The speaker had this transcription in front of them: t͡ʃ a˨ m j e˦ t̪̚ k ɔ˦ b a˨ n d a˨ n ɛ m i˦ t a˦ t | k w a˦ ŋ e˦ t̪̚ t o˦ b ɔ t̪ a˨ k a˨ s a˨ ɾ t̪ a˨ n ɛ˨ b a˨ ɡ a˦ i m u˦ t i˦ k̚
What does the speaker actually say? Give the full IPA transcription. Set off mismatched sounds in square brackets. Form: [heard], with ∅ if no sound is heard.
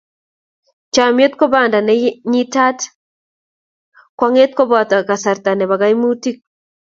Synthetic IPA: t͡ʃ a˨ m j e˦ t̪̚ k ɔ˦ b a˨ n d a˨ n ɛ [ɲ] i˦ t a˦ t | k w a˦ ŋ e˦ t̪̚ [k] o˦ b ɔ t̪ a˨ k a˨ s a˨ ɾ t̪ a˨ n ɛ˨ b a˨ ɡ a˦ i m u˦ t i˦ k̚